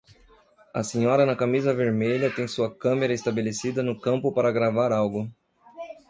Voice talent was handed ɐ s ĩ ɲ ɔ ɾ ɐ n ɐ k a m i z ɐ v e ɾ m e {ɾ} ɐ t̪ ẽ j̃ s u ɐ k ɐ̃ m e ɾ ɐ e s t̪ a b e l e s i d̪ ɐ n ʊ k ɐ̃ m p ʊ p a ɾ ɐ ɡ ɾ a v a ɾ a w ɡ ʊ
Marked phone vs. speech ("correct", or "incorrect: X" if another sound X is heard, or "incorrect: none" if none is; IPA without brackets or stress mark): incorrect: ʎ